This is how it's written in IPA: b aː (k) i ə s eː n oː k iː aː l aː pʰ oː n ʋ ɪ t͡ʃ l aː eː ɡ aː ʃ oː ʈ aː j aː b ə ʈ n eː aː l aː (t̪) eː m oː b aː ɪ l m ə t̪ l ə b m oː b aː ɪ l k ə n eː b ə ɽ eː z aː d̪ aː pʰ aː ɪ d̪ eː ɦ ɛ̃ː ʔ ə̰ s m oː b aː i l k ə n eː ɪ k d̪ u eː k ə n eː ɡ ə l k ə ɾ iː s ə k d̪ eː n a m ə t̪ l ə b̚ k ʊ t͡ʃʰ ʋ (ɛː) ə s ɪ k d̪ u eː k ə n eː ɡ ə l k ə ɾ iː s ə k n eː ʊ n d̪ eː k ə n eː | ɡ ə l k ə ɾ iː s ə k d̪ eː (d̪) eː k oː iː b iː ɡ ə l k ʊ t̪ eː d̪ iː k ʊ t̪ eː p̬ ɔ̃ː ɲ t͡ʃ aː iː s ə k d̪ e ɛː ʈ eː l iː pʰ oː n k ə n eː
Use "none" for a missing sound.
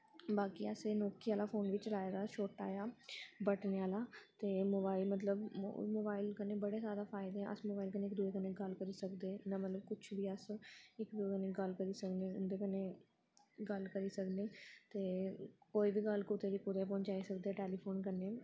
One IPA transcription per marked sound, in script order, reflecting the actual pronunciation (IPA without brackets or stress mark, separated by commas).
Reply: k, t̪, iː, t̪